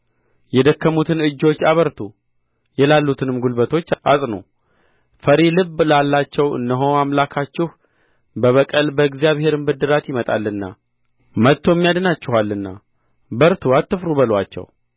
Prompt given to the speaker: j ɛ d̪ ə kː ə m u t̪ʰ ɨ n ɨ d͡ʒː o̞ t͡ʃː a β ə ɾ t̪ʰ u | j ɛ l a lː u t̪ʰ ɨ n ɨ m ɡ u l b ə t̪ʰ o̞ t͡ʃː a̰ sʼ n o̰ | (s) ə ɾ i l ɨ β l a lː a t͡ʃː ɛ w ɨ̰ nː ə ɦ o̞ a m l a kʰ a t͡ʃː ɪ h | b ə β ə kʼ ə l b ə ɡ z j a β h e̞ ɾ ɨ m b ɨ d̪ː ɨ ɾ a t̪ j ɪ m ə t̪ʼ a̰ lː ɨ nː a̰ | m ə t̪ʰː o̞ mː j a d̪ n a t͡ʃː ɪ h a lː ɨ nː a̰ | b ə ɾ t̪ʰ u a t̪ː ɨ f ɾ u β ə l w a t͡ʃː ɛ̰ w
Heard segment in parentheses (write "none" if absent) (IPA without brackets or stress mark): f